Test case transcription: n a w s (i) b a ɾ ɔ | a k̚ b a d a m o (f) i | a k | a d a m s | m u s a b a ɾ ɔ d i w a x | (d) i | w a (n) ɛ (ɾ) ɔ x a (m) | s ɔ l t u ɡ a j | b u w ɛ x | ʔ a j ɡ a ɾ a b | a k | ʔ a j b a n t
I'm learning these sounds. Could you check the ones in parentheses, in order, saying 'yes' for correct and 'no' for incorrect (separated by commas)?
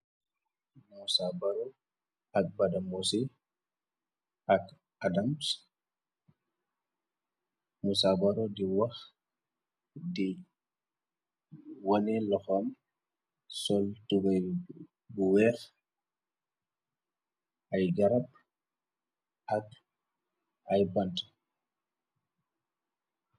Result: no, no, yes, yes, no, yes